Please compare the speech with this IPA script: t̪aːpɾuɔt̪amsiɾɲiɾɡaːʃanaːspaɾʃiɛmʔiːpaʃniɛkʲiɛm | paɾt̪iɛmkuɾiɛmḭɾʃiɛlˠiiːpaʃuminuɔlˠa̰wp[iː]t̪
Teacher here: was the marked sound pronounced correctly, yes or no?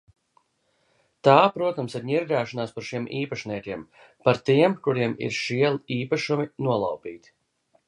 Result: yes